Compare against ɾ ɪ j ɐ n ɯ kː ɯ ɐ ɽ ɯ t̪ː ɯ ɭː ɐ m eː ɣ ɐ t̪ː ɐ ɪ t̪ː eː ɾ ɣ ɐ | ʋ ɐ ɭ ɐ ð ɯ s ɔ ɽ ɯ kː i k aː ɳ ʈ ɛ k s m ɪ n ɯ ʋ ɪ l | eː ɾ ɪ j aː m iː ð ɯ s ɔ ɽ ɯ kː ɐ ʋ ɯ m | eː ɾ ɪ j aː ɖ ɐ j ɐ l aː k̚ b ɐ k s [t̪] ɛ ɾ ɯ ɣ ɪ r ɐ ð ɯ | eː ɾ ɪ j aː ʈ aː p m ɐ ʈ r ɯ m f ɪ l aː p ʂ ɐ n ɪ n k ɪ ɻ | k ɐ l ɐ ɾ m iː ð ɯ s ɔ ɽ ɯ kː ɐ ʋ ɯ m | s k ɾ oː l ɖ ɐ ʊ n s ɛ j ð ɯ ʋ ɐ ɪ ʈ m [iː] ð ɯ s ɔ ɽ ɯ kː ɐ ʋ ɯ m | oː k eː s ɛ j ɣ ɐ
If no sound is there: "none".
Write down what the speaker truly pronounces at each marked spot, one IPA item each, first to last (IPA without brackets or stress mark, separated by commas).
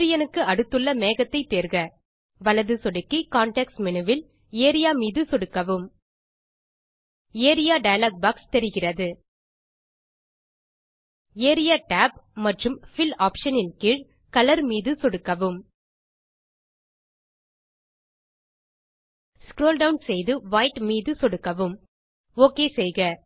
t̪, iː